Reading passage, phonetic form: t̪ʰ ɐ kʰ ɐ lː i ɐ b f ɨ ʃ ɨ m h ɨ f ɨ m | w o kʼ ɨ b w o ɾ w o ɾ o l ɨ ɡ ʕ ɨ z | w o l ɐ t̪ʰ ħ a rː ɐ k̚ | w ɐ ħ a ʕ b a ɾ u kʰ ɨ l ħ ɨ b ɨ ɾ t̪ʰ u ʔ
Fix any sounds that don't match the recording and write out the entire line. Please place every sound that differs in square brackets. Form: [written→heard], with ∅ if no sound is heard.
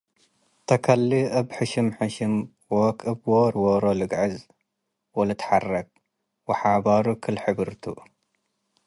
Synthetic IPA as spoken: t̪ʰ ɐ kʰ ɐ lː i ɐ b [f→ħ] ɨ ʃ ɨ m [h→ħ] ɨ [f→ʃ] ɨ m | w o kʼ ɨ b w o ɾ w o ɾ o l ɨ ɡ ʕ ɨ z | w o l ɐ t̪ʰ ħ a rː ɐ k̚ | w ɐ ħ a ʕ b a ɾ u kʰ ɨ l ħ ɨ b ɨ ɾ t̪ʰ u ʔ